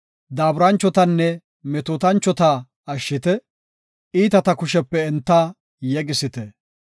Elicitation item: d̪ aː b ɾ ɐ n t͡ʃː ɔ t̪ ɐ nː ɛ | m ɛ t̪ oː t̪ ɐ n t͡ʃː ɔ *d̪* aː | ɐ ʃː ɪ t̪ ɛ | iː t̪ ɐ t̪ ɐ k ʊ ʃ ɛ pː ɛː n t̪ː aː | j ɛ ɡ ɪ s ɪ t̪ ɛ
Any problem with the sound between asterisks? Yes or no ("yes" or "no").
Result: yes